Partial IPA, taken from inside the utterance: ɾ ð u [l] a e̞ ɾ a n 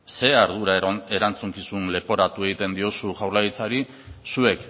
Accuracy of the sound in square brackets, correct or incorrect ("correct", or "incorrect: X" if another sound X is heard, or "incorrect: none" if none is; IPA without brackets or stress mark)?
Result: incorrect: ɾ